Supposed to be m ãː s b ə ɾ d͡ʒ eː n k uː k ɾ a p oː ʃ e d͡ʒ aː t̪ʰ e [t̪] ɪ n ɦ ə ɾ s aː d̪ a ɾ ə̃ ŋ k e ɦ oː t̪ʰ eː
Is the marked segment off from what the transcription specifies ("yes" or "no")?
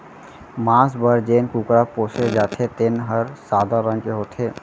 no